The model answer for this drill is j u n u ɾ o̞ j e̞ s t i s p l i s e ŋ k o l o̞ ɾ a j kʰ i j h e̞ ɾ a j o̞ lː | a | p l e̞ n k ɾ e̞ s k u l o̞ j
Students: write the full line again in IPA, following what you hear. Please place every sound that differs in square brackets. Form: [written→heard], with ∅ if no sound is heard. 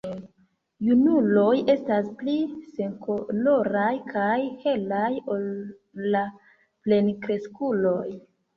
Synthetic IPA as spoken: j u n u [ɾ→l] o̞ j e̞ s t [i→a] s p l i s e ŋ k o l o̞ ɾ a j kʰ [i→a] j h e̞ [ɾ→l] a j o̞ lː | a | p l e̞ n k ɾ e̞ s k u l o̞ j